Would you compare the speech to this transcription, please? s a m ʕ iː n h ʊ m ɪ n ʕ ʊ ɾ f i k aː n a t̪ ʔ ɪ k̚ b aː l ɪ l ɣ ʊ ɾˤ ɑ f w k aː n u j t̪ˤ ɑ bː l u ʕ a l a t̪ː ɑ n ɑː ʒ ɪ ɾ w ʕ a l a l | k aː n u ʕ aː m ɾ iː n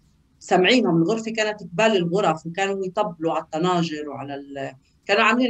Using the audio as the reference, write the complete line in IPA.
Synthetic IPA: s a m ʕ iː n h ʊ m ɪ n ɣ ʊ ɾ f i k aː n a t̪ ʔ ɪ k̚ b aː l ɪ l ɣ ʊ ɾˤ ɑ f w k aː n u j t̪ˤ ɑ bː l u ʕ a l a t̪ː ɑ n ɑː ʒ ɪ ɾ w ʕ a l a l | k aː n u ʕ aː m l iː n